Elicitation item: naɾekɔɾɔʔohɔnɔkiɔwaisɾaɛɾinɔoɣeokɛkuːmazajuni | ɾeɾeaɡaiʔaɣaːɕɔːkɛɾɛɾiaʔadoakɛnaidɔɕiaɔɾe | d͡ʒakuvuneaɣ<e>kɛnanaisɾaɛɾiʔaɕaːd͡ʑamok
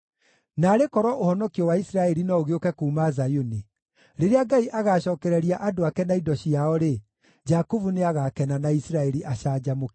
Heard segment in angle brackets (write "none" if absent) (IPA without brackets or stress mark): a